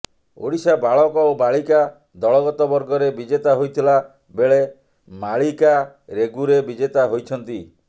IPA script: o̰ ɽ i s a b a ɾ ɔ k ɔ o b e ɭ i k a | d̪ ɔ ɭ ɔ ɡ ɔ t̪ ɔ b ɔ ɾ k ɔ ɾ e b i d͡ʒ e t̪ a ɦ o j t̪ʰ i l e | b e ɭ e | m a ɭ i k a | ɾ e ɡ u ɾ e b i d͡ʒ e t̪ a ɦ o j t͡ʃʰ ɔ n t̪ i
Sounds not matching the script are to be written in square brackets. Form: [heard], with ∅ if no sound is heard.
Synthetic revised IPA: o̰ ɽ i s a b a [ɭ] ɔ k ɔ o b [a] ɭ i k a | d̪ ɔ ɭ ɔ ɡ ɔ t̪ ɔ b ɔ ɾ [ɡ] ɔ ɾ e b i d͡ʒ e t̪ a ɦ o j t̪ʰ i l [a] | b e ɭ e | m a ɭ i k a | ɾ e ɡ u ɾ e b i d͡ʒ e t̪ a ɦ o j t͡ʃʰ ɔ n t̪ i